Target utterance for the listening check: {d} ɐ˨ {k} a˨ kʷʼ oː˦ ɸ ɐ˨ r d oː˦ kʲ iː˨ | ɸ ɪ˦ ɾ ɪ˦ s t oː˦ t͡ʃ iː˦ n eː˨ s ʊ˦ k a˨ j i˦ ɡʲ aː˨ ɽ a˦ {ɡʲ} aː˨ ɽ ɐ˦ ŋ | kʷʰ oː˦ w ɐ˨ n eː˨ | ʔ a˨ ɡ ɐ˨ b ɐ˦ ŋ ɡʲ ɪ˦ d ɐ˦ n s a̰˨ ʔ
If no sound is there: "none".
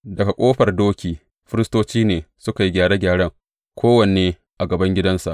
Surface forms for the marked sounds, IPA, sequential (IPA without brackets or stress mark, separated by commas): d, k, ɡʲ